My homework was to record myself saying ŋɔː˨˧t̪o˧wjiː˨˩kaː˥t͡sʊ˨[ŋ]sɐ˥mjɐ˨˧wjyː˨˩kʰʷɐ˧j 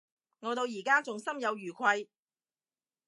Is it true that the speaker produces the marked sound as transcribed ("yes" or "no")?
yes